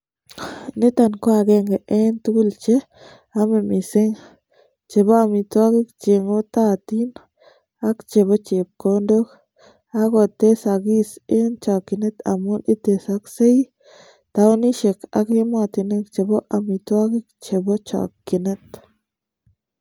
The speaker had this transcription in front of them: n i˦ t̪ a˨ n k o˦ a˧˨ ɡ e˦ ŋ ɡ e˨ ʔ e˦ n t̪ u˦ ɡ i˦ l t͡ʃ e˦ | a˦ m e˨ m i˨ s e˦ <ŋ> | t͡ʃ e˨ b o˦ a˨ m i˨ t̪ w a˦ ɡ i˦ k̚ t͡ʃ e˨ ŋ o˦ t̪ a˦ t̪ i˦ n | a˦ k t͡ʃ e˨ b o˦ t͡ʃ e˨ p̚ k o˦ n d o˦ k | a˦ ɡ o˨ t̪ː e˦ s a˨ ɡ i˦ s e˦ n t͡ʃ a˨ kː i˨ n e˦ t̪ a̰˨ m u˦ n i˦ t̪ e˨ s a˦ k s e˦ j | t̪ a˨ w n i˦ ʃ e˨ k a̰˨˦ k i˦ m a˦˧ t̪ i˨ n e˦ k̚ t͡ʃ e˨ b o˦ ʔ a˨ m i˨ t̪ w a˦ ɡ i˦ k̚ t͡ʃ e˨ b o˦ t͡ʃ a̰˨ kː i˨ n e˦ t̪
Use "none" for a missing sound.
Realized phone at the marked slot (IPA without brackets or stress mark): ŋ